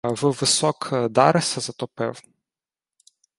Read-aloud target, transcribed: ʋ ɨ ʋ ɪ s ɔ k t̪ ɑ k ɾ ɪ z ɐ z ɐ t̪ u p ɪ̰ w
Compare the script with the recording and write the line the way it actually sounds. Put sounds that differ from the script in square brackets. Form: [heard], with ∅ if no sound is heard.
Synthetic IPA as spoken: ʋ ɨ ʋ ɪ s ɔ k [d̪] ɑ [∅] ɾ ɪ [s] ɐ z ɐ t̪ [ɔ] p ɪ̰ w